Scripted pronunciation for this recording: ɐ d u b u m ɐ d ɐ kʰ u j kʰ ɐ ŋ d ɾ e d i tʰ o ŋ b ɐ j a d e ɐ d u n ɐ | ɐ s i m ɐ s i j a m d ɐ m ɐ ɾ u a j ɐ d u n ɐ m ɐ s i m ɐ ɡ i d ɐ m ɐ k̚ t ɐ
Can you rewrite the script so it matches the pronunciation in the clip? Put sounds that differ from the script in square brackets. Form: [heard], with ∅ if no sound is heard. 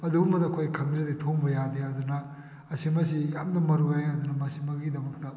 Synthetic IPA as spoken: ɐ d u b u m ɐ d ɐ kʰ [o] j kʰ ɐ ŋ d ɾ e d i tʰ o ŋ b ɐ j a d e ɐ d u n ɐ | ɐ s i m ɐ s i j a m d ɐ m ɐ ɾ u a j ɐ d u n ɐ m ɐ s i m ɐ ɡ i d ɐ m ɐ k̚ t ɐ